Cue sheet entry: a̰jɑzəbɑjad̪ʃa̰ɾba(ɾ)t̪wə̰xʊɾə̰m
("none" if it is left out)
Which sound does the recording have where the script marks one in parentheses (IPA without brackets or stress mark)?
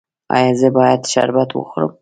none